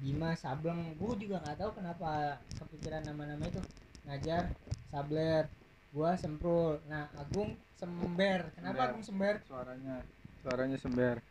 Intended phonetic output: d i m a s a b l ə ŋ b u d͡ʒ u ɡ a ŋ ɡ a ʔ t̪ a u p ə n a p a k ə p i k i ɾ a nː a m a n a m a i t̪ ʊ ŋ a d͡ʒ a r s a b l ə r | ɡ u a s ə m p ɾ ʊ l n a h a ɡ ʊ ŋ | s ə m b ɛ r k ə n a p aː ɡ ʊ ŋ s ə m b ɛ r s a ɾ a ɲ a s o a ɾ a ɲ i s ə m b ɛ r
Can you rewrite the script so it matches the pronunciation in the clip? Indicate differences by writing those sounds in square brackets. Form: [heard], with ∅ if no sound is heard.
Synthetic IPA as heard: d i m a s a b l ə ŋ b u d͡ʒ u ɡ a ŋ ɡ a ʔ t̪ a u [k] ə n a p a k ə p i k i ɾ a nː a m a n a m a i t̪ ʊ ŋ a d͡ʒ a r s a b l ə r | ɡ u a s ə m p ɾ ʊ l n a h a ɡ ʊ ŋ | s ə m b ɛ r k ə n a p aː ɡ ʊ ŋ s ə m b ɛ r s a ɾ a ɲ a s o a ɾ a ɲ [a] s ə m b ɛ r